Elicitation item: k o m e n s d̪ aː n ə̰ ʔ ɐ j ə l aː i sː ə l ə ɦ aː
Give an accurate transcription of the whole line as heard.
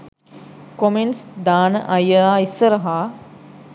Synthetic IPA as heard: k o m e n s d̪ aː n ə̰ ʔ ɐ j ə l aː i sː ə ɾ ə ɦ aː